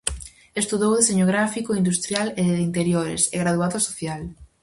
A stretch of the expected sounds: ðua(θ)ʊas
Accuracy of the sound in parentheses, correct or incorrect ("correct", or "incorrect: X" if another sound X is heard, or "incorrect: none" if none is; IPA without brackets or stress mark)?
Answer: incorrect: ð